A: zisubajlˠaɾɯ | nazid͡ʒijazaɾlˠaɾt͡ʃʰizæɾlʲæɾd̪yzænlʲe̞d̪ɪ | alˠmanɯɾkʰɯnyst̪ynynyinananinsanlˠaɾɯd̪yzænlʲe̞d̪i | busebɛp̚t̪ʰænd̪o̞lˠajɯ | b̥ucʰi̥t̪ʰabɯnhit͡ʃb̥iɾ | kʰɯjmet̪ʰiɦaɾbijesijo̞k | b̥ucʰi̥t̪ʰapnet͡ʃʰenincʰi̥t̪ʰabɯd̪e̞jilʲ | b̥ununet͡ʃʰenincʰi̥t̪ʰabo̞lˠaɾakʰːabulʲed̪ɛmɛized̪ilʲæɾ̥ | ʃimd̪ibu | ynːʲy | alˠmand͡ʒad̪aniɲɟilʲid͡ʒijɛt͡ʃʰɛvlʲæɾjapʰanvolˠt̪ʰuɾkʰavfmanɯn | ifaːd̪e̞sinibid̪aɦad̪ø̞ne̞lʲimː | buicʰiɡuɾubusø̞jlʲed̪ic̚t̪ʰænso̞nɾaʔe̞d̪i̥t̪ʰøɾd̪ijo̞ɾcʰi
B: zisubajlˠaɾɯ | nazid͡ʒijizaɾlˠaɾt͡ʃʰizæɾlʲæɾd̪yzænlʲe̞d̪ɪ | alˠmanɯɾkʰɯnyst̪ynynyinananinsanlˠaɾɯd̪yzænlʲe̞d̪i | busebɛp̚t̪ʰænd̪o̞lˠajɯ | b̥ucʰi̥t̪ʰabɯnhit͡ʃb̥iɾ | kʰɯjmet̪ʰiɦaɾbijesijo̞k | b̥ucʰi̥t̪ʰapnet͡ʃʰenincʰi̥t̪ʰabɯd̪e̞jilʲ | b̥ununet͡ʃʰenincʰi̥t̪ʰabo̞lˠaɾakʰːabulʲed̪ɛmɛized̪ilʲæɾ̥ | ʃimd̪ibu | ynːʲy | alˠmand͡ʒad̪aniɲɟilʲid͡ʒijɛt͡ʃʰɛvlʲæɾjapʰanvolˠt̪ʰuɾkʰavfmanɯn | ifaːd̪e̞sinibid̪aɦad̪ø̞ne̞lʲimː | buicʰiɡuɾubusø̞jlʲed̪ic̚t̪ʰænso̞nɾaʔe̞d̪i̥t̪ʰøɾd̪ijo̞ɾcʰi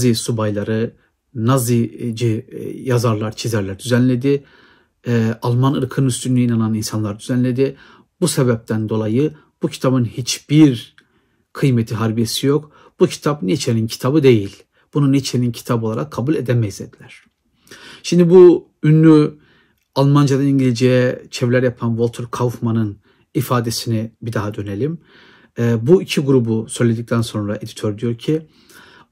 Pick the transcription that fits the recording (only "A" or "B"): A